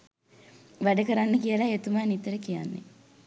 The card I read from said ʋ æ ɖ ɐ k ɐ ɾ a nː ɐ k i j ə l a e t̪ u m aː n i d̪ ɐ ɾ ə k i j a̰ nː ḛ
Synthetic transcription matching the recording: ʋ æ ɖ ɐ k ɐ ɾ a nː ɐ k i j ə l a e t̪ u m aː n i t̪ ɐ ɾ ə k i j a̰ nː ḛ